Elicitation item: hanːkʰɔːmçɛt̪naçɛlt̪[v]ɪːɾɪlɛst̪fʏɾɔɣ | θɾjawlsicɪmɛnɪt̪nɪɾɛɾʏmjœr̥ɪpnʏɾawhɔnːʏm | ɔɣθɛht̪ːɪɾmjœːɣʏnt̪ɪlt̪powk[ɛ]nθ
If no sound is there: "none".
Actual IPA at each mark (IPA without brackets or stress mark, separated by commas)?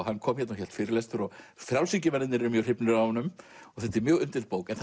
f, ɛ